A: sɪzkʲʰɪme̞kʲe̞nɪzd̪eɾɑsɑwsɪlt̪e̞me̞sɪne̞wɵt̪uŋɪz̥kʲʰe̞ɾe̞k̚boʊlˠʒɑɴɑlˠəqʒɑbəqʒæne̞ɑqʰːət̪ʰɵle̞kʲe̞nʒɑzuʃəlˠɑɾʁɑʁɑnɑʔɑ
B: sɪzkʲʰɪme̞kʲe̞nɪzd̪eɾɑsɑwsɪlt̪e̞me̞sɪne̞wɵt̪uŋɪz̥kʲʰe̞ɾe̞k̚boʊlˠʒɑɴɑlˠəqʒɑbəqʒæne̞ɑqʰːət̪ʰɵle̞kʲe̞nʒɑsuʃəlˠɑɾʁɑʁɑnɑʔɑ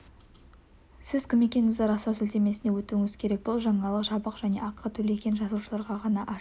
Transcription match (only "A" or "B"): B